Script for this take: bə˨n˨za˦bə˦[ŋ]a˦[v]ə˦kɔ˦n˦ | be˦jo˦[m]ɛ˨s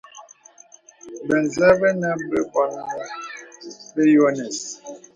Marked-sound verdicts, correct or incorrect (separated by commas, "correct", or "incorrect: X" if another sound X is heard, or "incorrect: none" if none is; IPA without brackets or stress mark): incorrect: n, incorrect: b, incorrect: n